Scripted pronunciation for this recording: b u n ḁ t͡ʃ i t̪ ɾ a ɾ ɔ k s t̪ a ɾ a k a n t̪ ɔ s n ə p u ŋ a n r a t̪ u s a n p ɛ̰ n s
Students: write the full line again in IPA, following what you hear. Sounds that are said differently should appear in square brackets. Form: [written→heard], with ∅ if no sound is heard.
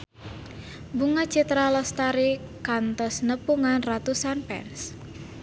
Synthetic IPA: b u [n→ŋ] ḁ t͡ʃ i t̪ ɾ a [ɾ→l] ɔ [k→∅] s t̪ a ɾ [a→i] k a n t̪ ɔ s n ə p u ŋ a n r a t̪ u s a n p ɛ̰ n s